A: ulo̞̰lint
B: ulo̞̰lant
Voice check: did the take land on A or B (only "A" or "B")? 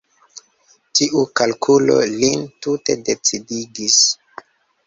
A